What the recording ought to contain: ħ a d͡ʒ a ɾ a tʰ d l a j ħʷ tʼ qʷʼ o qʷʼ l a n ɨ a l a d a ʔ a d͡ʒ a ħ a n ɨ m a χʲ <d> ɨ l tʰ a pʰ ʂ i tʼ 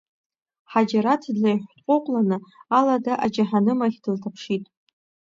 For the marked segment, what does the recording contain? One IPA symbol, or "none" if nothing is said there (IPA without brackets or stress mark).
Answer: d